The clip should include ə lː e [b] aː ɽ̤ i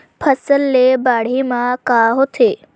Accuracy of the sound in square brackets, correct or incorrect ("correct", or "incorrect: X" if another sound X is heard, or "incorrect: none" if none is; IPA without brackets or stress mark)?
correct